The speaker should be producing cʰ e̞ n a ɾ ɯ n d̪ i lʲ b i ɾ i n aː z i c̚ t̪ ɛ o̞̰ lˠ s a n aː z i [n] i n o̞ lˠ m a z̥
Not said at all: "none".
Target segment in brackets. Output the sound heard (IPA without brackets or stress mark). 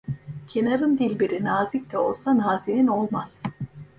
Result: n